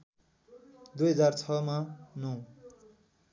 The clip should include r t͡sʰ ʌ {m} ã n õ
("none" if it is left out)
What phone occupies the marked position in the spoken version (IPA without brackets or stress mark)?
m